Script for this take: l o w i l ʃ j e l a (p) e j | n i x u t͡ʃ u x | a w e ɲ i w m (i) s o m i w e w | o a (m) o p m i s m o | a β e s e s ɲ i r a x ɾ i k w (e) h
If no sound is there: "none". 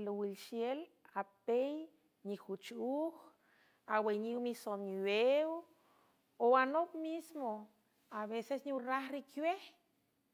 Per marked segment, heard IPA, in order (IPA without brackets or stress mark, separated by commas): p, i, n, e